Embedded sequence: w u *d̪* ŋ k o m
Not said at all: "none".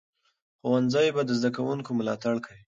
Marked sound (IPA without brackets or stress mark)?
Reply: none